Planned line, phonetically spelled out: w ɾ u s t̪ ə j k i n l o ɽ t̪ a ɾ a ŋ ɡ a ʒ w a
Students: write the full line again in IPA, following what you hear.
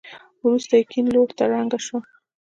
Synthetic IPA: w ɾ u s t̪ a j k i n l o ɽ t̪ a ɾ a ŋ ɡ a ʃ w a